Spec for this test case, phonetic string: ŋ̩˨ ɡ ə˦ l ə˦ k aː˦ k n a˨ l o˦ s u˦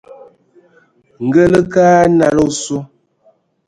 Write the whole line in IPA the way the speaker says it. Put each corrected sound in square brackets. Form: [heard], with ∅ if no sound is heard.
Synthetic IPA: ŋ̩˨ ɡ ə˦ l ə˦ k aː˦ [∅] n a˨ l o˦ s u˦